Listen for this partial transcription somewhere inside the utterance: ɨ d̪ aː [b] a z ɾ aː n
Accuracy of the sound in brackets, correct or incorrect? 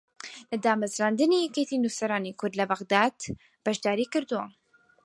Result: incorrect